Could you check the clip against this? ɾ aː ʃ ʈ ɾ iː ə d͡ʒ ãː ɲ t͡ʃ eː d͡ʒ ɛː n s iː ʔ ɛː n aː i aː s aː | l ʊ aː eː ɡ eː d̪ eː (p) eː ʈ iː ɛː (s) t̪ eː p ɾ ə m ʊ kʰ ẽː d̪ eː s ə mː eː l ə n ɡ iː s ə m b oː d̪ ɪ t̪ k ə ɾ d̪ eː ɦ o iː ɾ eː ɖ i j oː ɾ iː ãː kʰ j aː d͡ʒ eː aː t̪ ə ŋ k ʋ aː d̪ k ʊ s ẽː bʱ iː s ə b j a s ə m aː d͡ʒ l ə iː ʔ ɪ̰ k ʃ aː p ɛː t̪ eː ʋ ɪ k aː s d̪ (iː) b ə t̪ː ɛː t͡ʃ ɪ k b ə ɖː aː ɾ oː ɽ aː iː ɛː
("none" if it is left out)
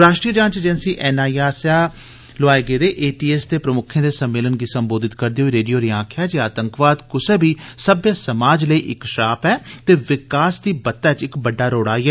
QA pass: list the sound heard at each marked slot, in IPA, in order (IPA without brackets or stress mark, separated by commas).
ʔ, s, iː